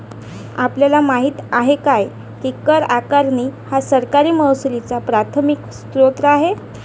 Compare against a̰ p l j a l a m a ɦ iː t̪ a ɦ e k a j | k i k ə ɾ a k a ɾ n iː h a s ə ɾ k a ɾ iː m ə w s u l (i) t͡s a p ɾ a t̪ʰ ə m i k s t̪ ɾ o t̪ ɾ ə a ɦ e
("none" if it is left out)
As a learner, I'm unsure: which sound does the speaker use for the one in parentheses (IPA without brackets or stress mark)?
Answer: i